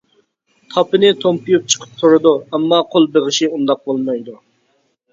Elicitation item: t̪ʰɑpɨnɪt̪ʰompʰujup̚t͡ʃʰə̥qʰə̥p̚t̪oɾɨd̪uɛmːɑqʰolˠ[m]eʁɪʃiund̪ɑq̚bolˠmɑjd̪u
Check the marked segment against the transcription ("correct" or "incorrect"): incorrect